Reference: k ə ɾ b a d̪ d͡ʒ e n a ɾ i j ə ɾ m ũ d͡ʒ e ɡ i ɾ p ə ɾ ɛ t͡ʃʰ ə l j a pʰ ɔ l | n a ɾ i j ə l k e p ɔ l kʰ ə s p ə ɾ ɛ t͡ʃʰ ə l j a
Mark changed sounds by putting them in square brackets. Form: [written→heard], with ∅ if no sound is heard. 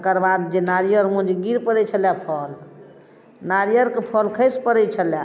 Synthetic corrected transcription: k ə ɾ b a d̪ d͡ʒ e n a ɾ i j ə ɾ m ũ d͡ʒ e ɡ i ɾ p ə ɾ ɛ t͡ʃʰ ə l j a pʰ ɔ l | n a ɾ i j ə [l→ɾ] k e [p→pʰ] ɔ l kʰ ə s p ə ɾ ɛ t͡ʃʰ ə l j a

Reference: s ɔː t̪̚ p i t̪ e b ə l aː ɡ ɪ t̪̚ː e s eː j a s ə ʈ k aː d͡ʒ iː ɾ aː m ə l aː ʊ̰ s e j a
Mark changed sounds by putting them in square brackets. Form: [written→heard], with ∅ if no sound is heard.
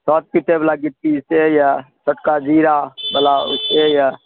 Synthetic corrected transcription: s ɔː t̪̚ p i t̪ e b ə l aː ɡ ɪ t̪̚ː [e→i] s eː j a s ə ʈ k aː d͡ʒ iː ɾ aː [m→b] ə l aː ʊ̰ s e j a

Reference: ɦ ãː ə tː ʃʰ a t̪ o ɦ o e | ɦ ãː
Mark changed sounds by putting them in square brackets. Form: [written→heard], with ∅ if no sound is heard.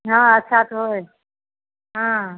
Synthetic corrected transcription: ɦ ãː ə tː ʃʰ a t̪ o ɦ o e | ɦ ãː

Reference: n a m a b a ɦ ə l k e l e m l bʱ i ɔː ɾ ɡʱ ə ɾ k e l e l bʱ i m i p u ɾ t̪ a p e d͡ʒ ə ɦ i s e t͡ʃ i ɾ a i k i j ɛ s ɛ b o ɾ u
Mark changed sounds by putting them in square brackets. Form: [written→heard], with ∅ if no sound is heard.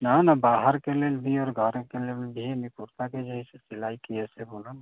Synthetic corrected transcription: n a [m→n] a b a ɦ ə [l→ɾ] k e l e [m→∅] l bʱ i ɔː ɾ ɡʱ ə ɾ k e l e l bʱ i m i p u ɾ t̪ a [p→k] e d͡ʒ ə ɦ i s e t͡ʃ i [ɾ→l] a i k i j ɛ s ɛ b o [ɾ→l] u

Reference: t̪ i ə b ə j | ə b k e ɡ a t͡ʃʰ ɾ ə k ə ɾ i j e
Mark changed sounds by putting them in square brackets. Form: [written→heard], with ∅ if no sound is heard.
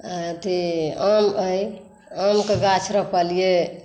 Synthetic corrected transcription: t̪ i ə [b→m] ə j | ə [b→m] k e ɡ a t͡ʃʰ ɾ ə [k→p] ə [ɾ→l] i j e

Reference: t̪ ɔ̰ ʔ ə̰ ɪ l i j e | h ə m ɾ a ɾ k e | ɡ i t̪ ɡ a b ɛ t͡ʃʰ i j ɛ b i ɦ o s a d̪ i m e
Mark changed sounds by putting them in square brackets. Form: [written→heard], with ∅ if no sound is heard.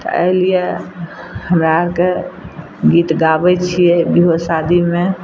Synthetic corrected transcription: t̪ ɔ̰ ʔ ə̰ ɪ l i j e | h ə m ɾ a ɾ k e | ɡ i t̪ ɡ a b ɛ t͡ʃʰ i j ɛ b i ɦ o s a d̪ i m e

